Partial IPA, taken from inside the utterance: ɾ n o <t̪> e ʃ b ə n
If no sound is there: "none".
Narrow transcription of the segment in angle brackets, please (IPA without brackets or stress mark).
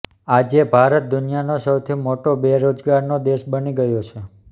d̪